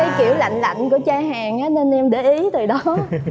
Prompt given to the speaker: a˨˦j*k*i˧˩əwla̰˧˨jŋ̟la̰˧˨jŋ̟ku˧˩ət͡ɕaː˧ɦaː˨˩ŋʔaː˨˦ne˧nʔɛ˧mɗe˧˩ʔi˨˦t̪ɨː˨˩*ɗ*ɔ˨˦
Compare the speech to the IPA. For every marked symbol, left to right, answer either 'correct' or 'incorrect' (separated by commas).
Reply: correct, correct